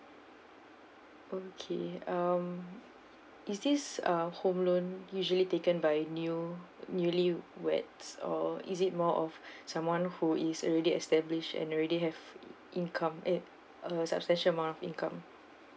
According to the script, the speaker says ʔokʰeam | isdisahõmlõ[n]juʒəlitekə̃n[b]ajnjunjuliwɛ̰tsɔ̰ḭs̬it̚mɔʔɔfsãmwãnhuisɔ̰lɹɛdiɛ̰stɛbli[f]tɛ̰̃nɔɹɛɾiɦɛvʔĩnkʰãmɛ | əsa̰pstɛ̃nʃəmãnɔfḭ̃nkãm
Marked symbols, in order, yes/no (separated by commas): yes, yes, no